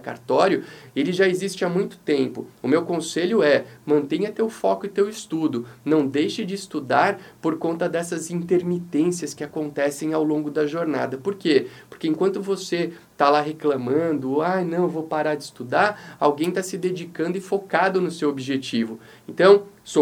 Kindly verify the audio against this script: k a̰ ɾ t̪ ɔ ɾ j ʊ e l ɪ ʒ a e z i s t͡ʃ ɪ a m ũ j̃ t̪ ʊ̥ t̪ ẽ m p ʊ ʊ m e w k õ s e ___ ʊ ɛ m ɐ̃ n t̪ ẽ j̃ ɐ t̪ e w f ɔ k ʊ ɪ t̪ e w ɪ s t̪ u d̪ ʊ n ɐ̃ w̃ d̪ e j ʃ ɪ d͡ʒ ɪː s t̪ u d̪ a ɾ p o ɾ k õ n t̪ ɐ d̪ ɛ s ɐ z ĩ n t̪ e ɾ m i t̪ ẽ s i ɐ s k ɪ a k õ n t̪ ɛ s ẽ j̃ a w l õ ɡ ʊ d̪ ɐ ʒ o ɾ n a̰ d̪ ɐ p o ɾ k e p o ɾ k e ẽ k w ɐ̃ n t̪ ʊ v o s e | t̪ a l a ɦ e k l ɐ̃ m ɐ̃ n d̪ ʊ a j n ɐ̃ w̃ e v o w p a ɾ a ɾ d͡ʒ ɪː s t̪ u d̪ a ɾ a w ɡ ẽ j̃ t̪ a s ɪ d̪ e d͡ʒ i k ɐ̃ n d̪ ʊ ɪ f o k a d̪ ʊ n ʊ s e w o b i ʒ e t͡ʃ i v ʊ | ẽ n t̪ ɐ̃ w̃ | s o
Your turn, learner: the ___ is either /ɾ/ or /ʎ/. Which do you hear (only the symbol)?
ʎ